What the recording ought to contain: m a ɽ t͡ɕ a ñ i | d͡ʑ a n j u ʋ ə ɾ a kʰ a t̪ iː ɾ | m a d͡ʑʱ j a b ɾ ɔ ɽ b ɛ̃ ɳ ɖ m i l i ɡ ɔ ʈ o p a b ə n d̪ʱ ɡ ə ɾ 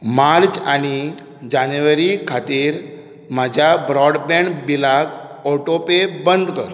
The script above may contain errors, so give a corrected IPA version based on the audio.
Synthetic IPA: m a ɾ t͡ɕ a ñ i | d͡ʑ a n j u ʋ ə ɾ i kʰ a t̪ iː ɾ | m a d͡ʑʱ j a b ɾ ɔ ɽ b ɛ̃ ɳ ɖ b i l a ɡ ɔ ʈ o p e b ə n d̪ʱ k ə ɾ